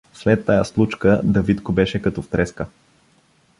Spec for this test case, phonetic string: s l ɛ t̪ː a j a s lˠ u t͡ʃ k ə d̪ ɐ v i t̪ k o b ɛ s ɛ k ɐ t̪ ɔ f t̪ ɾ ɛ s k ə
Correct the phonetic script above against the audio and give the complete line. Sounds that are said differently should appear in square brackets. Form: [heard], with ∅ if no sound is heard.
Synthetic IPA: s l ɛ t̪ː a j a s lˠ u t͡ʃ k ə d̪ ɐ v i t̪ k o b ɛ [ʃ] ɛ k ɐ t̪ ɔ f t̪ ɾ ɛ s k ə